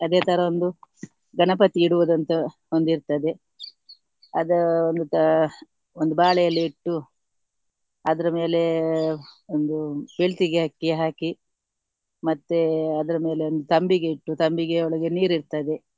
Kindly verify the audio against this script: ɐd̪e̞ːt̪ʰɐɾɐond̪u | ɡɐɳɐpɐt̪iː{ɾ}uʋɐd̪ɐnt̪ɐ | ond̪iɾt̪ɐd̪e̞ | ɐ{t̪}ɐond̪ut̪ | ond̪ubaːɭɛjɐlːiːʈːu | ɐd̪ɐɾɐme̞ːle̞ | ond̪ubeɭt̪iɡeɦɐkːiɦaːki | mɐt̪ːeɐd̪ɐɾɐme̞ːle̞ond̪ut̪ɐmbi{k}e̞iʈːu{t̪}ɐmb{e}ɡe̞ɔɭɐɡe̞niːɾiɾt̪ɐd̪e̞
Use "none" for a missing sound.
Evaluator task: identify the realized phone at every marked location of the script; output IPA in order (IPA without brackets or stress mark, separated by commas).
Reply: ɽ, d̪, ɡ, t̪, i